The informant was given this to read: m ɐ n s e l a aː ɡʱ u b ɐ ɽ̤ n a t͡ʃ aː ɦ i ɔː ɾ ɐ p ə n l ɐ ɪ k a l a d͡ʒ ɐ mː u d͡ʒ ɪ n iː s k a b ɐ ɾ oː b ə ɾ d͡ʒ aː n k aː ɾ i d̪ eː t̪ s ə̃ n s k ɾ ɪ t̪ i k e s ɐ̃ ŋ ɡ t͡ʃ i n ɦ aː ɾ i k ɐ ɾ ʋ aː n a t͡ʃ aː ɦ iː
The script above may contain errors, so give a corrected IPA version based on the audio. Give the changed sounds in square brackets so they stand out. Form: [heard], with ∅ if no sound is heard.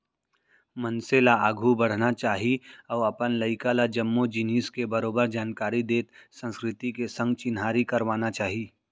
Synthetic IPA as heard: m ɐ n s e l a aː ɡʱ u b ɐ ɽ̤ n a t͡ʃ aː ɦ i ɔː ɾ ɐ p ə n l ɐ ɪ k a l a d͡ʒ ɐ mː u d͡ʒ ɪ n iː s k [e] b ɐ ɾ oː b ə ɾ d͡ʒ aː n k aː ɾ i d̪ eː t̪ s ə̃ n s k ɾ ɪ t̪ i k e s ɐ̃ ŋ ɡ t͡ʃ [ɪ] n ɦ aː ɾ i k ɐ ɾ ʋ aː n a t͡ʃ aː ɦ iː